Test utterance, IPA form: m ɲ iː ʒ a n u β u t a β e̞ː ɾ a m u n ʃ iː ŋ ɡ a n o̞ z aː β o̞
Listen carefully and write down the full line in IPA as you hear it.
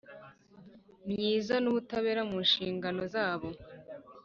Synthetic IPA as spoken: m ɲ iː z a n u β u t a β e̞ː ɾ a m u n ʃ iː ŋ ɡ a n o̞ z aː β o̞